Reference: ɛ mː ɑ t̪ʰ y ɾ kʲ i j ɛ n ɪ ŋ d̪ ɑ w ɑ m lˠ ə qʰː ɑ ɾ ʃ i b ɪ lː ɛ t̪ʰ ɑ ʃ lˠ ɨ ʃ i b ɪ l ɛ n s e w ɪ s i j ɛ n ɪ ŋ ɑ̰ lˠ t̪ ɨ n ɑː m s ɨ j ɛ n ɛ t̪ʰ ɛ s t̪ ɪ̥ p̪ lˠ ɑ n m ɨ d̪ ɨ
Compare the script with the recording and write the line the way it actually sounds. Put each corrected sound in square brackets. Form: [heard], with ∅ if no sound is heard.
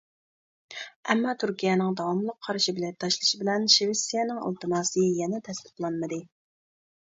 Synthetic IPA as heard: ɛ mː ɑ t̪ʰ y ɾ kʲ i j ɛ n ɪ ŋ d̪ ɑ w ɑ m lˠ ə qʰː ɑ ɾ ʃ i b ɪ [l] ɛ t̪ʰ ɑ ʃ lˠ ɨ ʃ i b ɪ l ɛ n [ʃ] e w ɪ s i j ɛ n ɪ ŋ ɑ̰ lˠ t̪ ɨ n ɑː [∅] s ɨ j ɛ n ɛ t̪ʰ ɛ s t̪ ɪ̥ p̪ lˠ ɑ n m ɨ d̪ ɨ